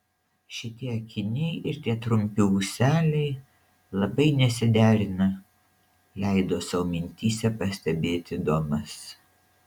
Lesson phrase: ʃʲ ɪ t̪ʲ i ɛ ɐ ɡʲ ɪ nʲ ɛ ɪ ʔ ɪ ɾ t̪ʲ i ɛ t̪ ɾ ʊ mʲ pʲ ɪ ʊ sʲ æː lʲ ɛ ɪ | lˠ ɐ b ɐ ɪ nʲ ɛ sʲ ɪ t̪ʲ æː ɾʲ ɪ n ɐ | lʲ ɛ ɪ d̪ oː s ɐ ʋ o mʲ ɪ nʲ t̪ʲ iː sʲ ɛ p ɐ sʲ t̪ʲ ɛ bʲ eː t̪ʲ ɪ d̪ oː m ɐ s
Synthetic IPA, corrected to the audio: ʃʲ ɪ t̪ʲ i ɛ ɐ kʲ ɪ nʲ ɛ ɪ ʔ ɪ ɾ t̪ʲ i ɛ t̪ ɾ ʊ mʲ pʲ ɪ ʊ sʲ æː lʲ ɛ ɪ | lˠ ɐ b ɐ ɪ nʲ ɛ sʲ ɪ d̪ʲ æː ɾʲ ɪ n ɐ | lʲ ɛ ɪ d̪ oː s ɐ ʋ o mʲ ɪ nʲ t̪ʲ iː sʲ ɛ p ɐ sʲ t̪ʲ ɛ bʲ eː t̪ʲ ɪ d̪ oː m ɐ s